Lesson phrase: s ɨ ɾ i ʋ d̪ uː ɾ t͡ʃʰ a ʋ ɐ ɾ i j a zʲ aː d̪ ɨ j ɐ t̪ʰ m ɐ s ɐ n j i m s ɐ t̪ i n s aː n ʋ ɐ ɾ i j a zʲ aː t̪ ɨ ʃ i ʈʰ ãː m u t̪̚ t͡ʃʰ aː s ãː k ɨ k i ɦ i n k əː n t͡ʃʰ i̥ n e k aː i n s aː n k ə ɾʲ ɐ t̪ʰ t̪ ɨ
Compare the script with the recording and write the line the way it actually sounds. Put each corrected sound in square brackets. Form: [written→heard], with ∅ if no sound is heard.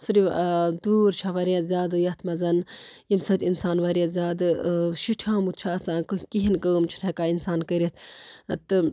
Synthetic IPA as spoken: s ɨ ɾ i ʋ d̪ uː ɾ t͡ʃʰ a ʋ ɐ ɾ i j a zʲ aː d̪ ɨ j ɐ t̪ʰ m ɐ [s→z] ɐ n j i m s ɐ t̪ i n s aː n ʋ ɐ ɾ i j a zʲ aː [t̪→d̪] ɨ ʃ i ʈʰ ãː m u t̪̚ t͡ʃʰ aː s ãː k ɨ k i ɦ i n k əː [n→m] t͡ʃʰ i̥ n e k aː i n s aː n k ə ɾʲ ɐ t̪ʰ t̪ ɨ